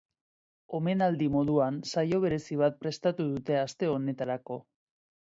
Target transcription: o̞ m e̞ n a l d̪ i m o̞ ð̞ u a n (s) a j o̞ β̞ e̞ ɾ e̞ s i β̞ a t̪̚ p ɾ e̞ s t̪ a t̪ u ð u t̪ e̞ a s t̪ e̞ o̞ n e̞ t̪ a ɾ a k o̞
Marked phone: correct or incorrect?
correct